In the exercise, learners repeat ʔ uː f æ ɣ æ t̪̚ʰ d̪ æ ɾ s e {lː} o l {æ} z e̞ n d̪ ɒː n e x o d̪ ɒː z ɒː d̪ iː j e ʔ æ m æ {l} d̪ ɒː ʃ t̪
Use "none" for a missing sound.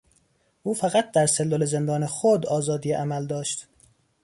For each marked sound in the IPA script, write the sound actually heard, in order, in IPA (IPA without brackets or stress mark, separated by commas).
lː, e, l